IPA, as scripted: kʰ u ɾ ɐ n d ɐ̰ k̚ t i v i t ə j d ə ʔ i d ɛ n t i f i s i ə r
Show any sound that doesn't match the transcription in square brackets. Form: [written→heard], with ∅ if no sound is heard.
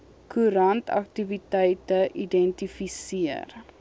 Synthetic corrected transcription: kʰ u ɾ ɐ n [d→t] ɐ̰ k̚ t i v i t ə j [d→t] ə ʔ i d ɛ n t i f i s i ə r